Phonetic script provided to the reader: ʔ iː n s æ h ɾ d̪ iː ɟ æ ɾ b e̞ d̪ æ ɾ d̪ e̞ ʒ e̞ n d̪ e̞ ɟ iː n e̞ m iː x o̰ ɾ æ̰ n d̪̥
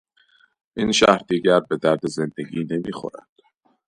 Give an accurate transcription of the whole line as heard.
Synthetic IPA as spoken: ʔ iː n ʃ æ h ɾ d̪ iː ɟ æ ɾ b e̞ d̪ æ ɾ d̪ e̞ z e̞ n d̪ e̞ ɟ iː n e̞ m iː x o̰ ɾ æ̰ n d̪̥